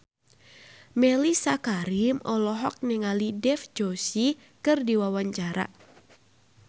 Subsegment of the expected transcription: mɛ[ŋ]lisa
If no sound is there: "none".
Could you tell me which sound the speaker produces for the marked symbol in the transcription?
none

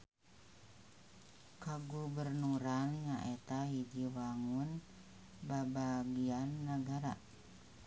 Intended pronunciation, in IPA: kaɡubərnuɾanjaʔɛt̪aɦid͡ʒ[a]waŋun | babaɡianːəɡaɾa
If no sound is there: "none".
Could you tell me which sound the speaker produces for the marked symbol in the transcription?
i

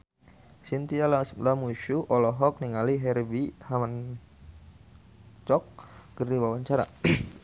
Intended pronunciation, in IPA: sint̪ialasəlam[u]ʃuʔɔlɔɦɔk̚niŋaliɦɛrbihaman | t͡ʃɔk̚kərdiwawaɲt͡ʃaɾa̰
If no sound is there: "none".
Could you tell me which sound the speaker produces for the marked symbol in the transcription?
u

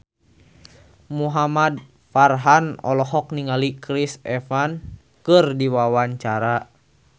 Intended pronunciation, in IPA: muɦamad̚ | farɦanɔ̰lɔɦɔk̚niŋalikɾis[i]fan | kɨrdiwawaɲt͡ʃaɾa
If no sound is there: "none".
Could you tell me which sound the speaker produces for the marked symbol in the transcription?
ɛ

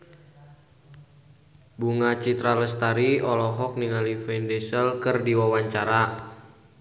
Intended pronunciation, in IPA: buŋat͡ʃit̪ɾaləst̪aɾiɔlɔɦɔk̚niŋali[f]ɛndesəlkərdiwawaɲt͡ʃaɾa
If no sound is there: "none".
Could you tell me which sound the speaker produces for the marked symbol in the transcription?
f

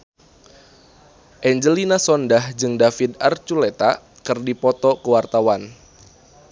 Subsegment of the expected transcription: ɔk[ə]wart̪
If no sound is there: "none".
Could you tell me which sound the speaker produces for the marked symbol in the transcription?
ə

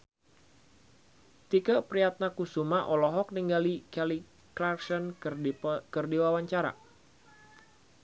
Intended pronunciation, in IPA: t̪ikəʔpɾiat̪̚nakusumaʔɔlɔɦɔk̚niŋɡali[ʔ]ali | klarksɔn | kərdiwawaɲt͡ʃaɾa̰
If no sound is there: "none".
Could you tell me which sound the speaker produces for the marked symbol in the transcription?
k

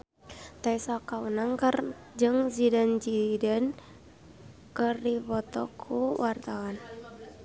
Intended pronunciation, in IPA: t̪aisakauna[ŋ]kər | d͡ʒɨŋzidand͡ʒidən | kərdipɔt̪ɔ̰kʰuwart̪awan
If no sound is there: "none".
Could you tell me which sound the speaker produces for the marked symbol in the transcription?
ŋ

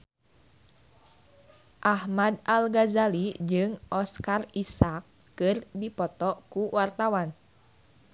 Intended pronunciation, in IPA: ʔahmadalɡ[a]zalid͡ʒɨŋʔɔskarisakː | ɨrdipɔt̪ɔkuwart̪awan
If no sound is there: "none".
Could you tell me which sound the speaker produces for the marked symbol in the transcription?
a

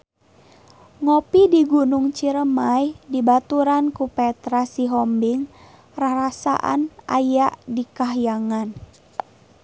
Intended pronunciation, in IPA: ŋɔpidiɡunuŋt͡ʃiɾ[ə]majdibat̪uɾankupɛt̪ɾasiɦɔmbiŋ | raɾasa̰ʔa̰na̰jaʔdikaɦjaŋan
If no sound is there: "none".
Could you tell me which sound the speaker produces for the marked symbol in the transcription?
ə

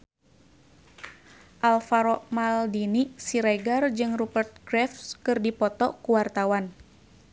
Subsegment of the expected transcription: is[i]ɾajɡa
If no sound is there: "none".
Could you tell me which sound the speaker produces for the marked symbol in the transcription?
i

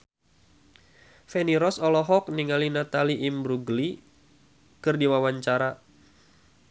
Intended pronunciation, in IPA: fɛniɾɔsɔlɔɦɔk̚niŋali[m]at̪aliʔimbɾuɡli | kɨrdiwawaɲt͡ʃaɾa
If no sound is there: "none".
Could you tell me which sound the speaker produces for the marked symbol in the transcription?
n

